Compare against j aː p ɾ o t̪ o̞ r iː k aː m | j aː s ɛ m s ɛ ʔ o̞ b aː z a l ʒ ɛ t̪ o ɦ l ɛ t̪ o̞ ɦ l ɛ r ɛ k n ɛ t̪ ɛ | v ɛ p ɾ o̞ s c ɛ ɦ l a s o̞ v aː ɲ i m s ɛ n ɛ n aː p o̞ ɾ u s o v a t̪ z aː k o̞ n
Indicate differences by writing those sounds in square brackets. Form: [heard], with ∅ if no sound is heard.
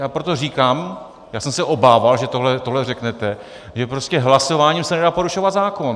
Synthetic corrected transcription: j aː p ɾ o t̪ o̞ r iː k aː m | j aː s ɛ m s ɛ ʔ o̞ b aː [v] a l ʒ ɛ t̪ o ɦ l ɛ t̪ o̞ ɦ l ɛ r ɛ k n ɛ t̪ ɛ | [ʒ] ɛ p ɾ o̞ s c ɛ ɦ l a s o̞ v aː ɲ i m s ɛ n ɛ [d] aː p o̞ ɾ u [ʃ] o v a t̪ z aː k o̞ n